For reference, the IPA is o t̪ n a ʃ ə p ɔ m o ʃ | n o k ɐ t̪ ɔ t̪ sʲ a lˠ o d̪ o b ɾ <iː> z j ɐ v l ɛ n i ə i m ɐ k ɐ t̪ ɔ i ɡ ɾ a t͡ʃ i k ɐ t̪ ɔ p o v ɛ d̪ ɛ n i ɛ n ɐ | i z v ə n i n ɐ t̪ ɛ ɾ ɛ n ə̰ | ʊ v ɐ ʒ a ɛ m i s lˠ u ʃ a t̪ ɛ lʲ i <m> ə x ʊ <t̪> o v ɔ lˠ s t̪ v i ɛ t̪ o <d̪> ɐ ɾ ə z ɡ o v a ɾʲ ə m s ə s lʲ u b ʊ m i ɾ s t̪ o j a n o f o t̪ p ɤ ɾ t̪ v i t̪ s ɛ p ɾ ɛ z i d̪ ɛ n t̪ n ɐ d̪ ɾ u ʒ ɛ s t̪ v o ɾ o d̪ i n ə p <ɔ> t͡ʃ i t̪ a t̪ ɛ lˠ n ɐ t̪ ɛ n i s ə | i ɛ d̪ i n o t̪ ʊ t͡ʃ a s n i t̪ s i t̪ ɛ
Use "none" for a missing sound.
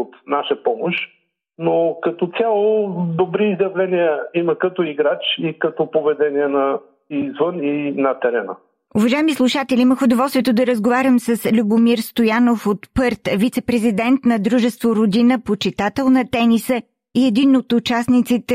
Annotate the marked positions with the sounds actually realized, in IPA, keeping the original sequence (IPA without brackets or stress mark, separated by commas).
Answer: iː, m, d̪, d̪, o